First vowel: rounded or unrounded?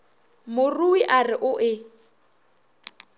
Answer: rounded